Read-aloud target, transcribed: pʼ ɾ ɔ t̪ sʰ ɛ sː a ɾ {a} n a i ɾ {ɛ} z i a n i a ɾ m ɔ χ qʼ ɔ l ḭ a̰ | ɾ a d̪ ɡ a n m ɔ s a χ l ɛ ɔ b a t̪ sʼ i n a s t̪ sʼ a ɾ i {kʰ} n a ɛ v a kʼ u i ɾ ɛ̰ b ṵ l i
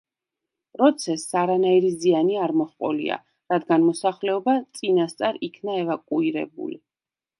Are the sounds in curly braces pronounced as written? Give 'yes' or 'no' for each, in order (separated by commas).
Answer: yes, no, yes